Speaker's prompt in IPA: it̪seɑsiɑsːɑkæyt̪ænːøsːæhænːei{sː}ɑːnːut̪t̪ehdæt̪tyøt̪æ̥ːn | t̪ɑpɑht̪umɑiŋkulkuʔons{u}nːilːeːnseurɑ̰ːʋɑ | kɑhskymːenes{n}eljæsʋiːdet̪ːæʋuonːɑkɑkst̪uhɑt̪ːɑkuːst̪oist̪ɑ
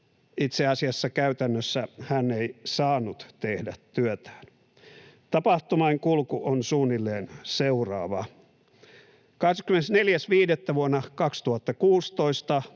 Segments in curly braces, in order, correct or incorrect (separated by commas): incorrect, incorrect, correct